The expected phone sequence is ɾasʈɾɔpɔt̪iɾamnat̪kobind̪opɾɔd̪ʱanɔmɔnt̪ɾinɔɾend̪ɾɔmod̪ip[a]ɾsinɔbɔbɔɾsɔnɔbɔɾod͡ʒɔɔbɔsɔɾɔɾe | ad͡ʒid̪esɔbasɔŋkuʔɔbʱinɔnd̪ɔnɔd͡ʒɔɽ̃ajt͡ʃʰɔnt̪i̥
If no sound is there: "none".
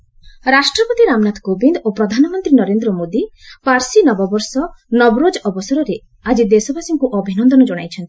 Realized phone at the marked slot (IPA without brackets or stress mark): a